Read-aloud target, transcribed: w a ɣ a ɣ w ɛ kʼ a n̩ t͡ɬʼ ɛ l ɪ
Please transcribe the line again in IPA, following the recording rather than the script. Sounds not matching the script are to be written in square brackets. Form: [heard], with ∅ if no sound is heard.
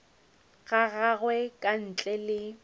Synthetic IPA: [ɣ] a ɣ a ɣ w ɛ kʼ a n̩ t͡ɬʼ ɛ l ɪ

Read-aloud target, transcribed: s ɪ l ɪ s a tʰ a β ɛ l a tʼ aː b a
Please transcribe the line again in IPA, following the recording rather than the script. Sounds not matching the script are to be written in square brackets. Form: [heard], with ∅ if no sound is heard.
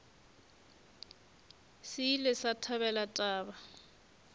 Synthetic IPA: s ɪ l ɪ s a tʰ a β ɛ l a tʼ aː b a

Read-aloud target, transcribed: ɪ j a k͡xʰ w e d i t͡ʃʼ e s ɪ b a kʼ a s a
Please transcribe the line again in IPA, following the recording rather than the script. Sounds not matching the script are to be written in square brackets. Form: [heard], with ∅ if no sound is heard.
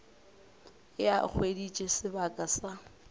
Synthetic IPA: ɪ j a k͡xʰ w e d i t͡ʃʼ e s ɪ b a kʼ a s a

